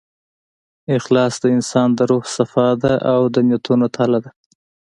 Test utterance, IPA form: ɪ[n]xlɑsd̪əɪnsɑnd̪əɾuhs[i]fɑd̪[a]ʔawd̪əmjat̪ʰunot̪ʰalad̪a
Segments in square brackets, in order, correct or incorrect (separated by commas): incorrect, incorrect, correct